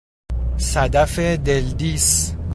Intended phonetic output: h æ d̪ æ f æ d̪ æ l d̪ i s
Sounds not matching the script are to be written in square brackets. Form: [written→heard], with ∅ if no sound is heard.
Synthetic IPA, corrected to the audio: [h→s] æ d̪ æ f [æ→e] d̪ [æ→e] l d̪ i s